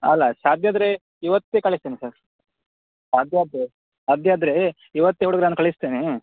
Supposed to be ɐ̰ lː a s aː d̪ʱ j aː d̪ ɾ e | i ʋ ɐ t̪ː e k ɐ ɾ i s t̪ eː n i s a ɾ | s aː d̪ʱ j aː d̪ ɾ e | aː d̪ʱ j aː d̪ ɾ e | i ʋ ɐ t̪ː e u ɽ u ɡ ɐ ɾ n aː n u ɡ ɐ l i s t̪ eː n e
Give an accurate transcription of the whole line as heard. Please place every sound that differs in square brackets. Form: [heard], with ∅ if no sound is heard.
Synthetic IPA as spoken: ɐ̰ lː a s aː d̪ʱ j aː d̪ ɾ e | i ʋ ɐ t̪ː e k ɐ [ɭ] i s t̪ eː n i s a ɾ | s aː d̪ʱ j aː d̪ ɾ e | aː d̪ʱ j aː d̪ ɾ e | i ʋ ɐ t̪ː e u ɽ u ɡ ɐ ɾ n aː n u [k] ɐ [ɭ] i s t̪ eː n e